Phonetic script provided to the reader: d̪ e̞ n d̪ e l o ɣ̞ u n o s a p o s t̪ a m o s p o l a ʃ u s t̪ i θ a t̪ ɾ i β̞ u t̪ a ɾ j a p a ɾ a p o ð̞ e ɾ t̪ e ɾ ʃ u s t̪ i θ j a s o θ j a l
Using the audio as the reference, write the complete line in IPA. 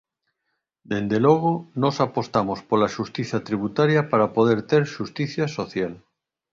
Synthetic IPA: d̪ e̞ n d̪ e l o ɣ̞ o n o s a p o s t̪ a m o s p o l a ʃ u s t̪ i θ a t̪ ɾ i β̞ u t̪ a ɾ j a p a ɾ a p o ð̞ e ɾ t̪ e ɾ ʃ u s t̪ i θ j a s o θ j a l